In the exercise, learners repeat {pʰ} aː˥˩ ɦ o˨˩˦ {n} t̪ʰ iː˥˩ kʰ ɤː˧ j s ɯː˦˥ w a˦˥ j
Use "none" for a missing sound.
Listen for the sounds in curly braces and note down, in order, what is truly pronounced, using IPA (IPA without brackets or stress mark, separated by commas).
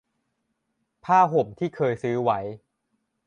pʰ, m